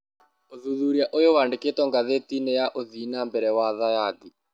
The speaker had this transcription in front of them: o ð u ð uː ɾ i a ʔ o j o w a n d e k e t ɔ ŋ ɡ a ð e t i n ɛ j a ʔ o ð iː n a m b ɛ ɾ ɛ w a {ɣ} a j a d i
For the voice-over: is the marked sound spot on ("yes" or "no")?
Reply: no